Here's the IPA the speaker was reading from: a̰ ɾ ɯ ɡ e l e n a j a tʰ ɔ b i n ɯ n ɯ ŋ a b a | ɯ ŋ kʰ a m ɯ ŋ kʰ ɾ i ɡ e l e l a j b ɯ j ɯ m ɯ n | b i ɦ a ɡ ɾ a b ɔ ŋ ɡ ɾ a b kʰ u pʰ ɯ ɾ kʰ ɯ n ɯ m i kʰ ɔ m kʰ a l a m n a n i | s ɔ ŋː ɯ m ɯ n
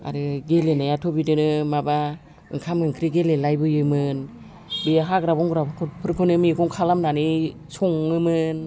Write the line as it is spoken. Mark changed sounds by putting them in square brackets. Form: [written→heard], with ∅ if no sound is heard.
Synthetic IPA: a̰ ɾ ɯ ɡ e l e n a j a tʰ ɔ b i [n→d] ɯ n ɯ [ŋ→m] a b a | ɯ ŋ kʰ a m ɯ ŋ kʰ ɾ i ɡ e l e l a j b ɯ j ɯ m ɯ n | b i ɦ a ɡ ɾ a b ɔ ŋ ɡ ɾ a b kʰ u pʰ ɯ ɾ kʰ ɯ n ɯ m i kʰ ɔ [m→ŋ] kʰ a l a m n a n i | s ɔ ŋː ɯ m ɯ n